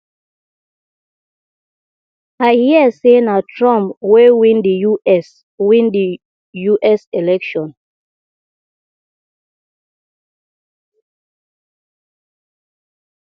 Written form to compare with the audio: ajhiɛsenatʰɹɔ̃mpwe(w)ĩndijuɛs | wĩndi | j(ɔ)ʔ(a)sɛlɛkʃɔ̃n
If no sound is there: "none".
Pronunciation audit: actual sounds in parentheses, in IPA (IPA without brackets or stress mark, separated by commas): w, u, ɛ